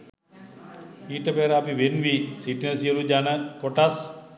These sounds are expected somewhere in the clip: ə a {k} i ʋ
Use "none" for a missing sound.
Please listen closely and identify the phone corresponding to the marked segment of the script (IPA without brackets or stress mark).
p